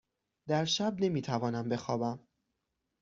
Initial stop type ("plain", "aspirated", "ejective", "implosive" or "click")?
plain